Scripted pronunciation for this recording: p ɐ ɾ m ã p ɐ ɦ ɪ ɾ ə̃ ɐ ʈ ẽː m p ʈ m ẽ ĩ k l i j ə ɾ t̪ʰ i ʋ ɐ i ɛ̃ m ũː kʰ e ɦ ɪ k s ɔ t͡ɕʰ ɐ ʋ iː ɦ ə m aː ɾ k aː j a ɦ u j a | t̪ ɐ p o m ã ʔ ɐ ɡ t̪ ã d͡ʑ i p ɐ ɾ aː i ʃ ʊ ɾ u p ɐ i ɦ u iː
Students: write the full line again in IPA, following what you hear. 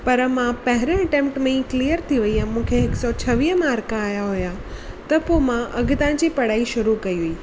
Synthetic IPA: p ɐ ɾ m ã p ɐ ɦ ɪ ɾ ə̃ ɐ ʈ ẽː m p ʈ m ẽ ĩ k l i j ə ɾ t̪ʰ i ʋ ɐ i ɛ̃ m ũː kʰ e ɦ ɪ k s ɔ t͡ɕʰ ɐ ʋ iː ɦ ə m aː ɾ k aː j a ɦ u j a | t̪ ɐ p o m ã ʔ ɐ ɡ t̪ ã d͡ʑ i p ɐ ɽ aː i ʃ ʊ ɾ u k ɐ i ɦ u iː